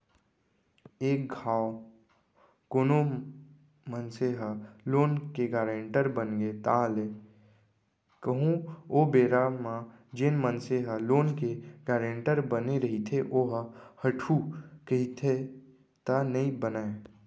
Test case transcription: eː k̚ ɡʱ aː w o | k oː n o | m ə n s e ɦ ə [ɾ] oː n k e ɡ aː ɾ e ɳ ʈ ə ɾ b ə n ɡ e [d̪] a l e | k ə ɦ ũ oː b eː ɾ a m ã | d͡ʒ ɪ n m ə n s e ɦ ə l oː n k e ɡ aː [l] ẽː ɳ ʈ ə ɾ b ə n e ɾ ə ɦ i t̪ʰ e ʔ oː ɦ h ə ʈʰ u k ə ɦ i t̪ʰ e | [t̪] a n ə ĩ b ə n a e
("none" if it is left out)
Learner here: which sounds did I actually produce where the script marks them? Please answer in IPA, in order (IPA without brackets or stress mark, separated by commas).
l, t̪, ɾ, t̪